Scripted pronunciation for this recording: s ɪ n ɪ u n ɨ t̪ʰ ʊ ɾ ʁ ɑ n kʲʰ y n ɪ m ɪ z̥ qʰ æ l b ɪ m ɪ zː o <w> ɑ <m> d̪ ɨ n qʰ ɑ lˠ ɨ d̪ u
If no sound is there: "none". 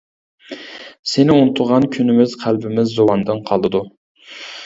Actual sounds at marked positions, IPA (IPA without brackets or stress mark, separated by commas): w, n